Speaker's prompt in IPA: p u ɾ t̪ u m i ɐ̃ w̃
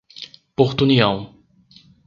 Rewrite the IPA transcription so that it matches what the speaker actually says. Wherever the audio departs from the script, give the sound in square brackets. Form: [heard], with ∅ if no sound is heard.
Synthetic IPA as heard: p [o] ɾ t̪ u [n] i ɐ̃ w̃

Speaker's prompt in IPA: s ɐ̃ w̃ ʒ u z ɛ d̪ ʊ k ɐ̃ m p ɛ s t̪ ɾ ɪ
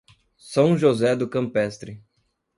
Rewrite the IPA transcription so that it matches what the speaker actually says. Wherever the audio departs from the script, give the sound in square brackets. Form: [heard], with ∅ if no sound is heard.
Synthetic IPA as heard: s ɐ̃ w̃ ʒ [o] z ɛ d̪ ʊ k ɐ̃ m p ɛ s t̪ ɾ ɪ

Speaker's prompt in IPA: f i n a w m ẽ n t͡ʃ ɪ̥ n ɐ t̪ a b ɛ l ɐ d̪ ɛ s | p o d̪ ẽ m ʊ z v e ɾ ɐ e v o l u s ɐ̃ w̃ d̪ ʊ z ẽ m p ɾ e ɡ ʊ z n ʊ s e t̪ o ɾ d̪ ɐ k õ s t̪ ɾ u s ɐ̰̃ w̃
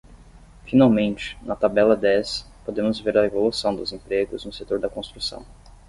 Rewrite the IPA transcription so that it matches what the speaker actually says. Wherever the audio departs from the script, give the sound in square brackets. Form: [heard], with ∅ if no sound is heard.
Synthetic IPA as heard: f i n a w m ẽ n t͡ʃ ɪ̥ n ɐ t̪ a b ɛ l ɐ d̪ ɛ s | p o d̪ ẽ m ʊ z v e ɾ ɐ e v o l u s ɐ̃ w̃ d̪ ʊ z ẽ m p ɾ e ɡ ʊ z n ʊ s e t̪ o ɾ d̪ ɐ k õ s t̪ ɾ u s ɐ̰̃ w̃

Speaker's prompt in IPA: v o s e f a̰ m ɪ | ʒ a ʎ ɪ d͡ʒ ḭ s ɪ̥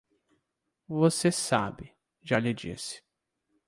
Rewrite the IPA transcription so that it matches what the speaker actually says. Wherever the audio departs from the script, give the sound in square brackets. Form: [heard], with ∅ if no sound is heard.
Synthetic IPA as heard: v o s e [s] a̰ [b] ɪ | ʒ a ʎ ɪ d͡ʒ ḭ s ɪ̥

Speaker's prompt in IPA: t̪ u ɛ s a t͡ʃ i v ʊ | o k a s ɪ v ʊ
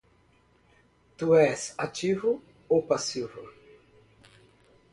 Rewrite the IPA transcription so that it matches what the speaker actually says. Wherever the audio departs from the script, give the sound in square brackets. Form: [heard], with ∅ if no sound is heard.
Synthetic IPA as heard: t̪ u ɛ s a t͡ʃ i v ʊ | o [p] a s [i] v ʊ

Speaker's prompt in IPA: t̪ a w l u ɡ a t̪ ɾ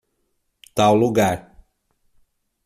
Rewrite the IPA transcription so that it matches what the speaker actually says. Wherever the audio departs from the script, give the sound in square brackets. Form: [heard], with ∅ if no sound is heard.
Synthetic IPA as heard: t̪ a w l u ɡ a [∅] ɾ

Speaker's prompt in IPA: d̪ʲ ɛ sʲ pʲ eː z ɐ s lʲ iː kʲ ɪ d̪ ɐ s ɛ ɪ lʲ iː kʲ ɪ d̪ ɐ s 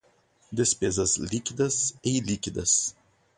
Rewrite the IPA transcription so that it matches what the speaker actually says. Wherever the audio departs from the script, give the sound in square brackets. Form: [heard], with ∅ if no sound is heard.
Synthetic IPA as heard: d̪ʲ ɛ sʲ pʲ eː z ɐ s lʲ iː kʲ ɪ d̪ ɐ s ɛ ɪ lʲ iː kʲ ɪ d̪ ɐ s

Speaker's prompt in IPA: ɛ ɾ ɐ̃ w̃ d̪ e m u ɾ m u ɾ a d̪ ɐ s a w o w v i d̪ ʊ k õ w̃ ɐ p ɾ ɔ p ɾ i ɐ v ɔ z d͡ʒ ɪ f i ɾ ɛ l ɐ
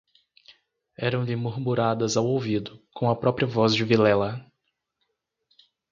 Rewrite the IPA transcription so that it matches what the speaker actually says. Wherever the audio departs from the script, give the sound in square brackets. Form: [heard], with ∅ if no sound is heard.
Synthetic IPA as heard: ɛ ɾ ɐ̃ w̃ d̪ e m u ɾ m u ɾ a d̪ ɐ [z] a w o w v i d̪ ʊ k õ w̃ ɐ p ɾ ɔ p ɾ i ɐ v ɔ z d͡ʒ ɪ [v] i [l] ɛ l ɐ

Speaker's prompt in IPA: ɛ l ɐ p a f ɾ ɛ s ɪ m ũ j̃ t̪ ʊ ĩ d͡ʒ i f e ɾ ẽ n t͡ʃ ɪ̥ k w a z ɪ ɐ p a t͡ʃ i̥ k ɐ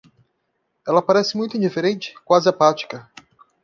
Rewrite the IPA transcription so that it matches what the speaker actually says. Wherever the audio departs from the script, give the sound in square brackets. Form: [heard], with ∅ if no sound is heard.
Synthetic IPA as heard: ɛ l ɐ p a [∅] ɾ ɛ s ɪ m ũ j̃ t̪ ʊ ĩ d͡ʒ i f e ɾ ẽ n t͡ʃ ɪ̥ k w a z ɪ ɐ p a t͡ʃ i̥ k ɐ

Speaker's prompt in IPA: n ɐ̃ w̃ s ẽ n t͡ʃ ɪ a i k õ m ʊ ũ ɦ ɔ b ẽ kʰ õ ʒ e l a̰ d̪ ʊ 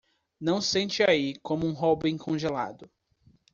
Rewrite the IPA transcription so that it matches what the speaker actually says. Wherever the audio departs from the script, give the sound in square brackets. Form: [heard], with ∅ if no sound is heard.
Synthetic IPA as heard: n ɐ̃ w̃ s ẽ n t͡ʃ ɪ a i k õ m ʊ ũ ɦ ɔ b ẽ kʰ õ ʒ e l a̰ d̪ ʊ

